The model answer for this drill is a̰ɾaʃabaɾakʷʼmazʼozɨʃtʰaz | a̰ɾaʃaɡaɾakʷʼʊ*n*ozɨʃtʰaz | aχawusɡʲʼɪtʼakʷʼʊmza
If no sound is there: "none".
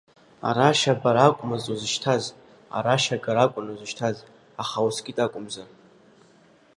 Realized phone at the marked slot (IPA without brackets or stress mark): n